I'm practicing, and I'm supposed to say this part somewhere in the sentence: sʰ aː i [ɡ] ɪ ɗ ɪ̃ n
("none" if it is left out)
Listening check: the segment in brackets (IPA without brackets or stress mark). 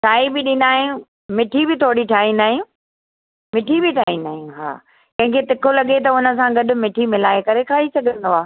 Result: b